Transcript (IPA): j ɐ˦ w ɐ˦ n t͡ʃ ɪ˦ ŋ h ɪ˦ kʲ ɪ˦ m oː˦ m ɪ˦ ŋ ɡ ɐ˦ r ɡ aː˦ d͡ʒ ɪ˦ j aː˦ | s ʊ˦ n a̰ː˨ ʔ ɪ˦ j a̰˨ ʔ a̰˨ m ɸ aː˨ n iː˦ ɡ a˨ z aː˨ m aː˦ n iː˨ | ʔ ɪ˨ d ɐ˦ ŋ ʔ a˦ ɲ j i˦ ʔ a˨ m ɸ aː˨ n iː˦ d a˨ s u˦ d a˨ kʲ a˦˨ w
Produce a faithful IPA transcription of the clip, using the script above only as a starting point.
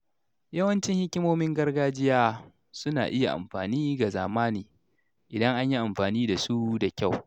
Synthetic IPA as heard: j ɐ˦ w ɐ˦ n t͡ʃ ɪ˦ ŋ h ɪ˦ kʲ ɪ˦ m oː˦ m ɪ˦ ŋ ɡ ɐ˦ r ɡ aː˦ d͡ʒ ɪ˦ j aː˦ | s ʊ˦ n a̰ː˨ ʔ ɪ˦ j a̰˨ ʔ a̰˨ m ɸ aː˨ n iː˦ ɡ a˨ z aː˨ m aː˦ n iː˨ | ʔ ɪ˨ d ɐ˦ ŋ ʔ a˦ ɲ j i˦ ʔ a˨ m ɸ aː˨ n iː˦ d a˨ s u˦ d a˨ kʲ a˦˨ w